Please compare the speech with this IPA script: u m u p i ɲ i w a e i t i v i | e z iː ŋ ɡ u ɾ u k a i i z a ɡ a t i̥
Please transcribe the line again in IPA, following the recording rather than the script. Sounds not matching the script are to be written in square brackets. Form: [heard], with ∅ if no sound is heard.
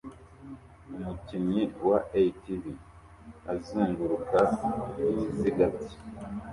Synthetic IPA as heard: u m u [c] i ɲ i w a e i t i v i | [a] z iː ŋ ɡ u ɾ u k a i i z [i] ɡ a t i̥